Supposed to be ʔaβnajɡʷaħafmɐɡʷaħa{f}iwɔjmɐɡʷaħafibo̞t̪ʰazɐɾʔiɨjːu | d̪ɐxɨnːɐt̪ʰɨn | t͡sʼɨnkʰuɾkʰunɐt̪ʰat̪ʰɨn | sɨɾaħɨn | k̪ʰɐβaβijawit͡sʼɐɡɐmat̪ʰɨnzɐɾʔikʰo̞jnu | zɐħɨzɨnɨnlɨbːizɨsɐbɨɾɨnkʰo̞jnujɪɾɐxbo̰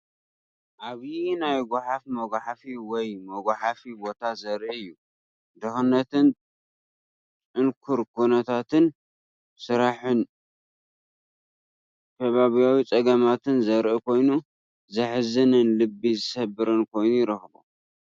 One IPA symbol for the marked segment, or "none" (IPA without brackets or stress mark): f